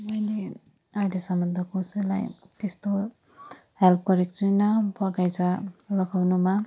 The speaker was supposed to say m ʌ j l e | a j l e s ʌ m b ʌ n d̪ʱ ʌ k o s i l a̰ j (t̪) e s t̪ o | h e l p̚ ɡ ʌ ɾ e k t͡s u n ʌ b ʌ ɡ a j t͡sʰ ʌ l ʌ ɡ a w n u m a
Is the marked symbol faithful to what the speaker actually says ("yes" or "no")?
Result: yes